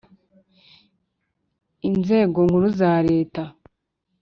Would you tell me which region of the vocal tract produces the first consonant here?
tongue tip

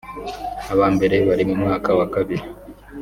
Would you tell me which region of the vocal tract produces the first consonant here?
lips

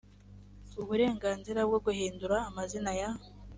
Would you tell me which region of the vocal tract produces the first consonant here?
lips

